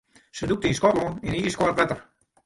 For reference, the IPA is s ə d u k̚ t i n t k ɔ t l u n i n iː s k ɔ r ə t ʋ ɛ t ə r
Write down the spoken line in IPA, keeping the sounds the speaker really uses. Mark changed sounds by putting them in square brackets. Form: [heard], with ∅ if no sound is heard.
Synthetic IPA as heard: s ə d u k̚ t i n [s] k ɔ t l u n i n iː s k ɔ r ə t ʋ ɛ t ə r